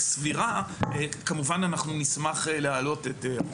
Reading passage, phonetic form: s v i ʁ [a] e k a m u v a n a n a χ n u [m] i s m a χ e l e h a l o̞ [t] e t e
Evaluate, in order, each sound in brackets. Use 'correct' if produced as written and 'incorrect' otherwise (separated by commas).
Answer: correct, incorrect, correct